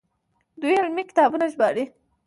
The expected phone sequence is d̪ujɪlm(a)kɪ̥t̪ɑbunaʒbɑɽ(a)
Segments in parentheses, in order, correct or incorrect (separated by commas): incorrect, incorrect